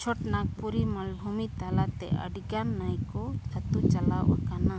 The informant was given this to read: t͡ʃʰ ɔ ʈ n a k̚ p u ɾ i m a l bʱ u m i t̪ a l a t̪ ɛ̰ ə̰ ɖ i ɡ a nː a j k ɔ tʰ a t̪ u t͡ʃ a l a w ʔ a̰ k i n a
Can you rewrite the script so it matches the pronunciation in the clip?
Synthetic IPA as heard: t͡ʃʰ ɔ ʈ n a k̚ p u ɾ i m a l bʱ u m i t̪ a l a t̪ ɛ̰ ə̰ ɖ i ɡ a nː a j k ɔ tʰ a t̪ u t͡ʃ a l a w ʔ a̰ k a n a